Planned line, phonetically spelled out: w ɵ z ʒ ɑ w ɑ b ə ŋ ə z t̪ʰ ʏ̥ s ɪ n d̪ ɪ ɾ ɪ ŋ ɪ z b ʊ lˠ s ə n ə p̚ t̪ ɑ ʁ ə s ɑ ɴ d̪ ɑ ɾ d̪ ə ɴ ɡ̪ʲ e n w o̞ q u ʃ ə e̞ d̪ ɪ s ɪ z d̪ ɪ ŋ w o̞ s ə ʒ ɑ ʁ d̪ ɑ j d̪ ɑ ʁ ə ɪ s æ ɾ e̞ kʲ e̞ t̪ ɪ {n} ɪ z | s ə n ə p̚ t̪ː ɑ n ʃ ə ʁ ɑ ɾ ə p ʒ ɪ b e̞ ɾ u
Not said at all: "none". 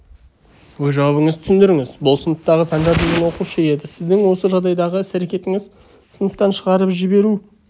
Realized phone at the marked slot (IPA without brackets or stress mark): ŋ